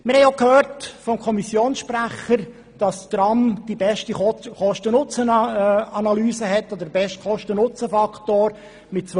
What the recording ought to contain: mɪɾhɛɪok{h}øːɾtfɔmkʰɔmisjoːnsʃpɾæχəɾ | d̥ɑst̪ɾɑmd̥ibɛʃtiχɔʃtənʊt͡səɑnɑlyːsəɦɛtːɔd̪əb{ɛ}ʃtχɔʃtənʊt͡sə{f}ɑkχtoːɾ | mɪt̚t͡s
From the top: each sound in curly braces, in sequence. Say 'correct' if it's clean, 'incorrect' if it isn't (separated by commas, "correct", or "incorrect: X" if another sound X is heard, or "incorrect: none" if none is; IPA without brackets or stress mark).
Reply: correct, correct, correct